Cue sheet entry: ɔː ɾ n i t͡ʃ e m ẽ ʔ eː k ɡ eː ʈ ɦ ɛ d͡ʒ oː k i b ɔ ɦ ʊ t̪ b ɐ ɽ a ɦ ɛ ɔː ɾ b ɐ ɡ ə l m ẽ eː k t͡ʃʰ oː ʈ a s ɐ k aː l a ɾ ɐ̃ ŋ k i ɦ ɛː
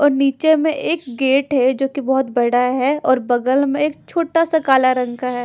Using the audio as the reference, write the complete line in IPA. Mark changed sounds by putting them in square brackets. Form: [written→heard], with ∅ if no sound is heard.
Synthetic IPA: ɔː ɾ n [i→iː] t͡ʃ e m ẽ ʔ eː k ɡ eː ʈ ɦ ɛ d͡ʒ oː k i b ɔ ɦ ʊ t̪ b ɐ ɽ a ɦ ɛ ɔː ɾ b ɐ ɡ ə l m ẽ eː k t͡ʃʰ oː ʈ a s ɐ k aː l a ɾ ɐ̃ ŋ k [i→a] ɦ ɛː